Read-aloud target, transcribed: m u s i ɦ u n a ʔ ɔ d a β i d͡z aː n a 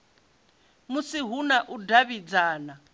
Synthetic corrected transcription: m u s i ɦ u n a ʔ u d a β i d͡z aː n a